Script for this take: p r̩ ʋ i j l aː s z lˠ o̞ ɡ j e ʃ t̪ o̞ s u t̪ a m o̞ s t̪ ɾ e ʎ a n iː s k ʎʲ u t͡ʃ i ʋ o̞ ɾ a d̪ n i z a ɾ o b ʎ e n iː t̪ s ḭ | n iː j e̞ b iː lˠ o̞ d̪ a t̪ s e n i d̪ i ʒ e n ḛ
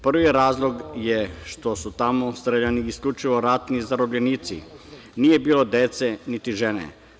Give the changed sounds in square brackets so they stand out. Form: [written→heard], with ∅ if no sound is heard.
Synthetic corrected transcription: p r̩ ʋ i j [l→ɾ] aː [s→∅] z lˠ o̞ ɡ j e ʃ t̪ o̞ s u t̪ a m o̞ s t̪ ɾ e ʎ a n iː s k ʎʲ u t͡ʃ i ʋ o̞ ɾ a [d̪→t̪] n i z a ɾ o b ʎ e n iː t̪ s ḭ | n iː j e̞ b iː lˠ o̞ d̪ [a→e] t̪ s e n i [d̪→t̪] i ʒ e n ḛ